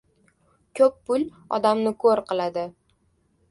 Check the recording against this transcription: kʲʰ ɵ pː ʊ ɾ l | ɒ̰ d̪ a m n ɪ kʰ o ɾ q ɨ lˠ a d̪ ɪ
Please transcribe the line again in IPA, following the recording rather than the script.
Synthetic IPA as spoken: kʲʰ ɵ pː ʊ l | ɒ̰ d̪ a m n ɪ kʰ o ɾ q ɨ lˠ a d̪ ɪ